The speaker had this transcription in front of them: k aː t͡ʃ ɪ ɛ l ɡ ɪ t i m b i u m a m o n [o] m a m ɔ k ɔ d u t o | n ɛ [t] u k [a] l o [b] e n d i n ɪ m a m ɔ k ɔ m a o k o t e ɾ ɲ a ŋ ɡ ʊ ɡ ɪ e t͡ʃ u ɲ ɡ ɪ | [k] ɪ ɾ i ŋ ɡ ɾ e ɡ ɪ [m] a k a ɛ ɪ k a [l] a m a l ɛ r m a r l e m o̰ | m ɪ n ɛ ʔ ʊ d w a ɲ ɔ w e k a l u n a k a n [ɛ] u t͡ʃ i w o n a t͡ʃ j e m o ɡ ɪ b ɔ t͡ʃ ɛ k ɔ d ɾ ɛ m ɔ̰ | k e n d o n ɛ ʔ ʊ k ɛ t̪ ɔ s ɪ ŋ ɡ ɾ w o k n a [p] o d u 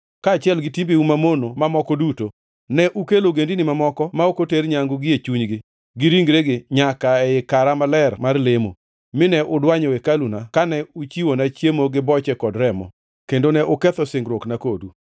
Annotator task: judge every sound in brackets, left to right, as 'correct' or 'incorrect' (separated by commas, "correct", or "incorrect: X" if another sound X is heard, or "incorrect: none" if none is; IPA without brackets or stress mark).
correct, incorrect: ʔ, incorrect: e, incorrect: ɡ, incorrect: ɡ, incorrect: ɲ, incorrect: ɾ, correct, incorrect: k